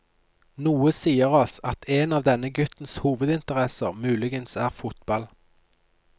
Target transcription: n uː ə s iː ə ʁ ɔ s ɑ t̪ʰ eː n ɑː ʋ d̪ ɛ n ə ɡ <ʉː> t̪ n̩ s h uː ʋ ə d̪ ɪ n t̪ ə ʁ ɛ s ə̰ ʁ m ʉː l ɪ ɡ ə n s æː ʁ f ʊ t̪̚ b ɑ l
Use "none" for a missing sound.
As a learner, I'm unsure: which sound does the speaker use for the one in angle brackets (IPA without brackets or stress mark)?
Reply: ʉ